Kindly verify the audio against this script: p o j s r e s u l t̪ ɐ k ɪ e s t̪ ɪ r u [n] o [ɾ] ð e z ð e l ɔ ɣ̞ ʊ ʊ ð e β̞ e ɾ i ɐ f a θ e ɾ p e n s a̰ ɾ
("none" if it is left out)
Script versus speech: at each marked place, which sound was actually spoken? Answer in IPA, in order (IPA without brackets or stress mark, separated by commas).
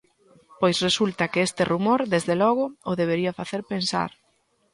m, ɾ